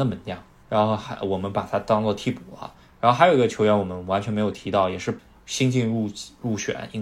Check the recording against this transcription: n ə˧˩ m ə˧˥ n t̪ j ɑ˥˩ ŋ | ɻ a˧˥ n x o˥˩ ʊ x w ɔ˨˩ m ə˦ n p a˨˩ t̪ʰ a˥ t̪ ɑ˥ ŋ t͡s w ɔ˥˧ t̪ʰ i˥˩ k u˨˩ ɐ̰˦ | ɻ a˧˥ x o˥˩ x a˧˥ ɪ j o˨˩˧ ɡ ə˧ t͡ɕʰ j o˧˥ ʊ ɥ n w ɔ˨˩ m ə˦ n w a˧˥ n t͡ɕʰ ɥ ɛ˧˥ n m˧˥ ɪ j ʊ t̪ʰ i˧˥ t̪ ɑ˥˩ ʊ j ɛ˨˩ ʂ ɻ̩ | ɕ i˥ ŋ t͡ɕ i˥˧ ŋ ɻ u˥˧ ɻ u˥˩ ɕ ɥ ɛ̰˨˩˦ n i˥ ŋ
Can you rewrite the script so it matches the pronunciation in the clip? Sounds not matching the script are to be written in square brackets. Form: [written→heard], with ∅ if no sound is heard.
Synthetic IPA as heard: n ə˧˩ m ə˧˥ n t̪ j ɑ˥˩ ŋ | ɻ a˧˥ n x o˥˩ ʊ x w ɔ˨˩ m ə˦ n p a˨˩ t̪ʰ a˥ t̪ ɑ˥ ŋ t͡s w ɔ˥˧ t̪ʰ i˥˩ [k→p] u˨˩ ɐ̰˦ | ɻ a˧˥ x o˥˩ x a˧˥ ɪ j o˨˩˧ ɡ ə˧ t͡ɕʰ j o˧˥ ʊ ɥ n w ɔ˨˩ m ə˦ n w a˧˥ n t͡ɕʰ ɥ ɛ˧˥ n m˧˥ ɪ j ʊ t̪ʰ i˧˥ t̪ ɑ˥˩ ʊ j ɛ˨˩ ʂ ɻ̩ | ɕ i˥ ŋ t͡ɕ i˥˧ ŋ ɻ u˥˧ ɻ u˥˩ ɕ ɥ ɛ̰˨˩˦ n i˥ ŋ